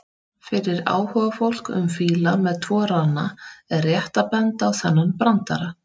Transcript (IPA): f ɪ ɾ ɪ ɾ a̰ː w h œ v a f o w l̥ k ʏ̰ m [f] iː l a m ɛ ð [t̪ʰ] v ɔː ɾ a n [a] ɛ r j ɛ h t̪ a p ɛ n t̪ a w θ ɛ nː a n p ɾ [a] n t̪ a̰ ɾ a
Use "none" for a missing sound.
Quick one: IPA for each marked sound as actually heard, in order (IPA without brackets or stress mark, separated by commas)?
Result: f, t̪ʰ, a, a